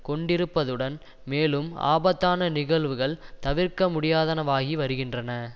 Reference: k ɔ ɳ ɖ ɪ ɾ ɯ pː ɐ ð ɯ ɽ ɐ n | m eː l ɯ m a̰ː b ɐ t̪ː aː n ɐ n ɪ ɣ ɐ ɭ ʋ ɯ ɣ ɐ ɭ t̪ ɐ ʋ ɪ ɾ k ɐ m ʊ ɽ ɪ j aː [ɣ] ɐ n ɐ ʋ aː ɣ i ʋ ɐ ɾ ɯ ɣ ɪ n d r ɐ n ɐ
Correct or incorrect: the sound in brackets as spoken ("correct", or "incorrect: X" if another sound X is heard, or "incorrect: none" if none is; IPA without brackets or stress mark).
incorrect: ð